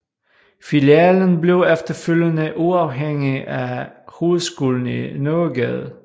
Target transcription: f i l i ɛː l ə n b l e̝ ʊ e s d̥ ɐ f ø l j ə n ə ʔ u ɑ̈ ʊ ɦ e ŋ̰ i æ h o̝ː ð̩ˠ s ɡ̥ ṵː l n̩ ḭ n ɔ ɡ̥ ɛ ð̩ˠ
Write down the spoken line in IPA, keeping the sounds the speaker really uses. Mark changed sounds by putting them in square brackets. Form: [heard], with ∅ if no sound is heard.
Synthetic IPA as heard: f i l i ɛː l ə n b l e̝ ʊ e [f] d̥ ɐ f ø l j ə n ə ʔ u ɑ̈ ʊ ɦ e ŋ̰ i æ h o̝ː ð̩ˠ s ɡ̥ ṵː l n̩ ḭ n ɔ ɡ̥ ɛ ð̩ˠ